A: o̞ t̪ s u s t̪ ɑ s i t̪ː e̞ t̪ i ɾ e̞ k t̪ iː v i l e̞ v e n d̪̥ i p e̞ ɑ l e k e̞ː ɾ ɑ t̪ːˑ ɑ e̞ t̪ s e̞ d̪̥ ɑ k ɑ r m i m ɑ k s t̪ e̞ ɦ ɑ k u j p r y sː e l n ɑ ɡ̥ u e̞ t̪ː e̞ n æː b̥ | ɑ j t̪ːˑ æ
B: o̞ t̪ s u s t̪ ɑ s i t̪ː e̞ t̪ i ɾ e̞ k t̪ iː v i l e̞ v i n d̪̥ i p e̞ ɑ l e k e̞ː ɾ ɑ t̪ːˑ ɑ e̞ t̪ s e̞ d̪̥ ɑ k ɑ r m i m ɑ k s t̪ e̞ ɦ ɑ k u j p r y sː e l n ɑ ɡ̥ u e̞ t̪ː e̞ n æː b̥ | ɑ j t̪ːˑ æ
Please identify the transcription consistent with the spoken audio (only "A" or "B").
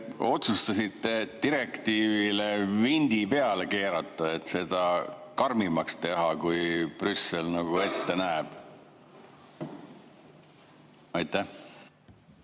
B